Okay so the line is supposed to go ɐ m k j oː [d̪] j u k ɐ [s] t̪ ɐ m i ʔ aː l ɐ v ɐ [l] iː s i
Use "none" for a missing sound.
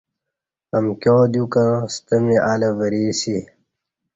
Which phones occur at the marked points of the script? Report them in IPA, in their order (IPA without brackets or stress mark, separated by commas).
d̪, s, ɾ